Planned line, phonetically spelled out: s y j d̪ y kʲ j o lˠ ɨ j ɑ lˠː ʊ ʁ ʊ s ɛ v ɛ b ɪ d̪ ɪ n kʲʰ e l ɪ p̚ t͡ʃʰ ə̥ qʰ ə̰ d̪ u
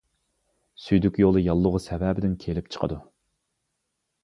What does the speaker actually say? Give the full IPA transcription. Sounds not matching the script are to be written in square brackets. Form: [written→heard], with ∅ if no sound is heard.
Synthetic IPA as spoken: s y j d̪ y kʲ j o lˠ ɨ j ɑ lˠː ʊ ʁ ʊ s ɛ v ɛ b ɪ d̪ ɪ n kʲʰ e l ɪ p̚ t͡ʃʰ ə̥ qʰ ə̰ d̪ u